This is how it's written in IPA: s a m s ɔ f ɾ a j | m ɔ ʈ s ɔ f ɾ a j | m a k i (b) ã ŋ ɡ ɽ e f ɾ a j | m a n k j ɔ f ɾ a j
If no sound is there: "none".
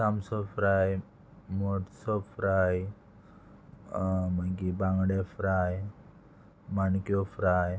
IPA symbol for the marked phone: b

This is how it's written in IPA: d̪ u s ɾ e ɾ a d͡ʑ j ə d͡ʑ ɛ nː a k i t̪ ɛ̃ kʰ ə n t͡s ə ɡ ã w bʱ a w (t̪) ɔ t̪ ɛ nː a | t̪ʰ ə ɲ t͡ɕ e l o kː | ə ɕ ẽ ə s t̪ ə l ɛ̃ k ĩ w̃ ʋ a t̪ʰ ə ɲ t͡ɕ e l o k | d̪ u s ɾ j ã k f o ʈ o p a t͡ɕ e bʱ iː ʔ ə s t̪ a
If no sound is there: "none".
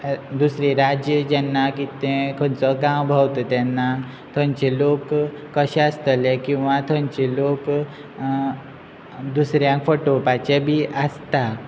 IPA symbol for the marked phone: t̪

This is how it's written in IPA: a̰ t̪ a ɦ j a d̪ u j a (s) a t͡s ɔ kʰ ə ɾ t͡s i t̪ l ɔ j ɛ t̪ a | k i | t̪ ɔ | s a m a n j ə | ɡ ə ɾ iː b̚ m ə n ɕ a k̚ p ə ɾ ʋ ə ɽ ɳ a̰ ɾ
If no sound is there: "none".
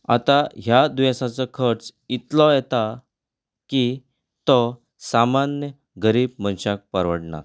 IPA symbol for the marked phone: s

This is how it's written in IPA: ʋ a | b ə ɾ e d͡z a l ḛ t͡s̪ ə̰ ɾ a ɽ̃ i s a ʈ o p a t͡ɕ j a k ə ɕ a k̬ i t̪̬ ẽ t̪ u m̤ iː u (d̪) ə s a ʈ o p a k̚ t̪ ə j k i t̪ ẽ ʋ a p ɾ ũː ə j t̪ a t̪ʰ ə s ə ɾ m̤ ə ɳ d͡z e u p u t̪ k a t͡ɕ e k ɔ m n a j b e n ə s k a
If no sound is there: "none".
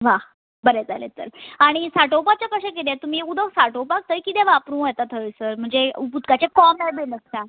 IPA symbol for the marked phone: d̪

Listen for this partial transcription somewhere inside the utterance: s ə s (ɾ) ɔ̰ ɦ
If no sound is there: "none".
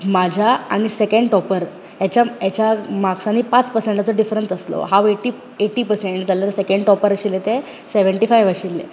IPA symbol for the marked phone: l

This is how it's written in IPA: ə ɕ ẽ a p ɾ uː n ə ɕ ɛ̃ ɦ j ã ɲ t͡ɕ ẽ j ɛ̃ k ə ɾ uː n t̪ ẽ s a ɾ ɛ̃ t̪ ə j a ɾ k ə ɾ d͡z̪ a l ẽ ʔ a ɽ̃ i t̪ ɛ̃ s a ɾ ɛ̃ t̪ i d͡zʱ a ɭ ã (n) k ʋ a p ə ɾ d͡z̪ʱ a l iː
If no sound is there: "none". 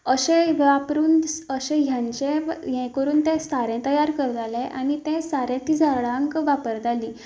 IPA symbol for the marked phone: ŋ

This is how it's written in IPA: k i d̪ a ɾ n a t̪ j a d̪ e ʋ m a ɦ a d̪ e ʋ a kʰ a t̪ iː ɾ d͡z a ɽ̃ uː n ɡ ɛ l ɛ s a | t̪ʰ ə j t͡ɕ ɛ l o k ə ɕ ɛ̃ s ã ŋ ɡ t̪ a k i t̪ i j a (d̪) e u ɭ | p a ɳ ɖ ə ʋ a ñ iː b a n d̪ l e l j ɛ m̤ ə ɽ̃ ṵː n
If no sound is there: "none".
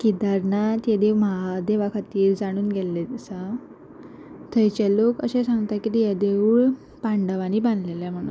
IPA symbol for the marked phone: d̪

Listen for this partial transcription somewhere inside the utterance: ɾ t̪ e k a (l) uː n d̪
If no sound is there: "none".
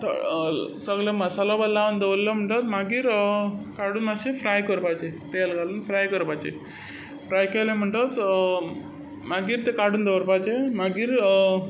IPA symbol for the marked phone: ɽ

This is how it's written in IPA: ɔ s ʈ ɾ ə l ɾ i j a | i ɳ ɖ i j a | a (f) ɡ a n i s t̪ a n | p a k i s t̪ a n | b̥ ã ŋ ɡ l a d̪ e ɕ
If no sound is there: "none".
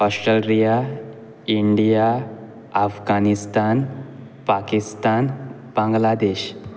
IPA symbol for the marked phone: f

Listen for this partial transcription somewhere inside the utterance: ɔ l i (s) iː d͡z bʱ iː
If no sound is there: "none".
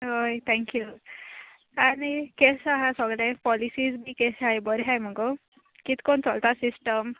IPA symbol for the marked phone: s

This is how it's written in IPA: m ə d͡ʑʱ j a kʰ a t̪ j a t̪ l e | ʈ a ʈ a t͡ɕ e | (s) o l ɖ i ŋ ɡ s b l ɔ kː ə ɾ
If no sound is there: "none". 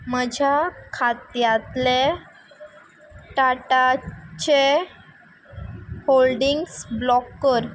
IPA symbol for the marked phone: h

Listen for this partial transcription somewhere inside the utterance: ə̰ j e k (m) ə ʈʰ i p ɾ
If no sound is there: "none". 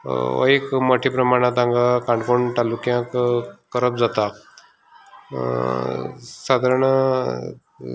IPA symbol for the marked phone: m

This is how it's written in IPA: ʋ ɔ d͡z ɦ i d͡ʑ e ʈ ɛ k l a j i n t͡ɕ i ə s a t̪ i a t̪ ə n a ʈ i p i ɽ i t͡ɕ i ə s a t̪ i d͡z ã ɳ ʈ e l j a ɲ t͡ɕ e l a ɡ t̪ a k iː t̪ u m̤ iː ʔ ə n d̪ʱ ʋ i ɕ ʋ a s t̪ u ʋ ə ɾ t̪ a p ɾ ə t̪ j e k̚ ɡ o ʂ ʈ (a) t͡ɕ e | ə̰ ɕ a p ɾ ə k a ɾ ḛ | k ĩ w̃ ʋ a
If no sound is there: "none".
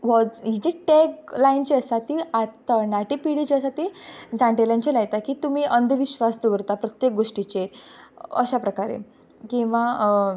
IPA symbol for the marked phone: i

